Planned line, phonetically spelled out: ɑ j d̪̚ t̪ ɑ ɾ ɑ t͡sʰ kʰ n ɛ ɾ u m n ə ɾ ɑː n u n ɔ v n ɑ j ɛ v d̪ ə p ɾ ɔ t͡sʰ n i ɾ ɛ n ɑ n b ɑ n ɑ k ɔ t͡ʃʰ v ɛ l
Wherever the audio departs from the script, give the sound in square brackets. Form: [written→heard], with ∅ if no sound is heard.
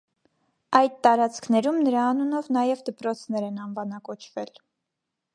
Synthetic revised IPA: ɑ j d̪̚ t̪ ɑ ɾ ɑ [t͡sʰ→t͡s] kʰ n ɛ ɾ u m n ə ɾ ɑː n u n ɔ v n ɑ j ɛ v d̪ ə p ɾ ɔ t͡sʰ n [i→ɛ] ɾ ɛ n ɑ n [b→v] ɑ n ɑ k ɔ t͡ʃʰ v ɛ l